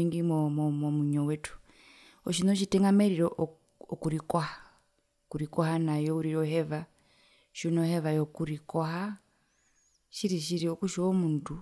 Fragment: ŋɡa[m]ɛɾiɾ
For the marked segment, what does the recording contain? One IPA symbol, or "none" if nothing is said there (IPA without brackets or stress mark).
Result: m